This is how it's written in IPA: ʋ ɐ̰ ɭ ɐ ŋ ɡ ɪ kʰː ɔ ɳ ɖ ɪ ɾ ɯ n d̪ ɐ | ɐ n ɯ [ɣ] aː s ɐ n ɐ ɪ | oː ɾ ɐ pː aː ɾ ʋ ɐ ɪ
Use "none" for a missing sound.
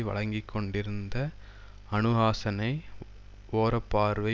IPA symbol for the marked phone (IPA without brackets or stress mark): ɣ